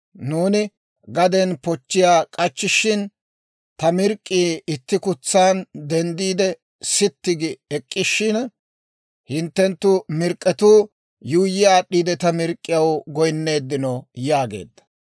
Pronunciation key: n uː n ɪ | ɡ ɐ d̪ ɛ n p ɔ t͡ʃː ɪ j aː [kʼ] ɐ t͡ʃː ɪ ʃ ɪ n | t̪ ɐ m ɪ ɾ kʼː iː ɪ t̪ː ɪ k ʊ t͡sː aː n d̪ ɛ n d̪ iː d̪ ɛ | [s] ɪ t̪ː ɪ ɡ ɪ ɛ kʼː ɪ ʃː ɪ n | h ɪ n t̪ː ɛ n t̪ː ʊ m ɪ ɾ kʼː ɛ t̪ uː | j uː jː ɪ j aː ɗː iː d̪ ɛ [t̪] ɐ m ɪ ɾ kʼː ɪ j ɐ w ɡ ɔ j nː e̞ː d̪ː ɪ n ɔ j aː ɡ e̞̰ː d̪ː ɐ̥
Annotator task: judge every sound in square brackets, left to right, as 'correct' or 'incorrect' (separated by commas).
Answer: correct, correct, correct